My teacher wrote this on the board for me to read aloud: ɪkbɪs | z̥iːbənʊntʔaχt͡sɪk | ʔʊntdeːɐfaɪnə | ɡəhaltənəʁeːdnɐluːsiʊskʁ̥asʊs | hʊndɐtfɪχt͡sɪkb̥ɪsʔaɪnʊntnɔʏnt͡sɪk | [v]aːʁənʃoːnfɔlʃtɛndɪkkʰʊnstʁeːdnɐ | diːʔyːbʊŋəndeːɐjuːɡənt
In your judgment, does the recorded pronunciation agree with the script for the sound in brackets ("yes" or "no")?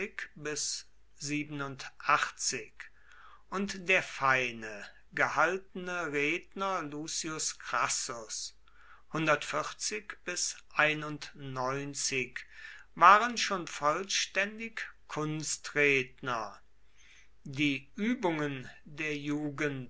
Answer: yes